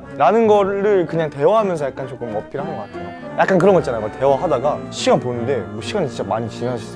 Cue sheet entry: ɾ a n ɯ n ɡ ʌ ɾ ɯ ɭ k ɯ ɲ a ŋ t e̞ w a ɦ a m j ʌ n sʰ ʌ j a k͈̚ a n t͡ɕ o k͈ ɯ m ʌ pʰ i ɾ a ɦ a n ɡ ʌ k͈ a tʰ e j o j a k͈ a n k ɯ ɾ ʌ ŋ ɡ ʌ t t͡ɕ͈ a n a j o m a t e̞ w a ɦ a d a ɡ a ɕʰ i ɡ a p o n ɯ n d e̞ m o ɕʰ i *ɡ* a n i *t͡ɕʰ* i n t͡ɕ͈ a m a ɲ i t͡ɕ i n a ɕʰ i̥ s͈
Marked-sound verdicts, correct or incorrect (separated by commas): correct, incorrect